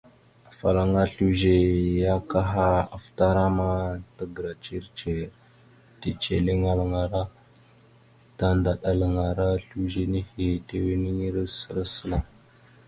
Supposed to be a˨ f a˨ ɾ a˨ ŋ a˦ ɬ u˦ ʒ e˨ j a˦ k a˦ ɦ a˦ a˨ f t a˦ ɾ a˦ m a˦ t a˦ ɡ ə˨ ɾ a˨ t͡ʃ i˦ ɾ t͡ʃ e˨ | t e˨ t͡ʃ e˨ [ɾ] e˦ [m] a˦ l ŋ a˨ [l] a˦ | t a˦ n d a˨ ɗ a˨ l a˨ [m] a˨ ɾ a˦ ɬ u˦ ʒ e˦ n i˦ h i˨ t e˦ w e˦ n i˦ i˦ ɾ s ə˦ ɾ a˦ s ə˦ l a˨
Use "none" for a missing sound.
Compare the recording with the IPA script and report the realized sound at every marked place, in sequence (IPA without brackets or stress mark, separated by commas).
l, ŋ, ɾ, ŋ